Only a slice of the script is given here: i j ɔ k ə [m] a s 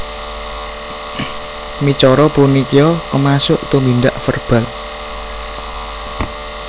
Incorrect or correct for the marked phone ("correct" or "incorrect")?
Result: correct